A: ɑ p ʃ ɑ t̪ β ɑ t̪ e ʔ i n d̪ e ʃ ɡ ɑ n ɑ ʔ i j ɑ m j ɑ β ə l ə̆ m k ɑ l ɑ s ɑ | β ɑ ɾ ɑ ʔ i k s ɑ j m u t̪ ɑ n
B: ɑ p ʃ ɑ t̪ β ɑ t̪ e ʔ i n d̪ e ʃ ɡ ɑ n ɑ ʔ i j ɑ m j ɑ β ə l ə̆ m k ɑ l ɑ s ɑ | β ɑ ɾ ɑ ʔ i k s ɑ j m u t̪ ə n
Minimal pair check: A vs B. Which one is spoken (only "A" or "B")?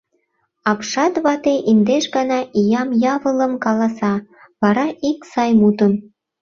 B